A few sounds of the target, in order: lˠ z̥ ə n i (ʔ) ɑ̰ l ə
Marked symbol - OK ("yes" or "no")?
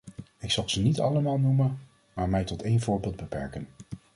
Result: no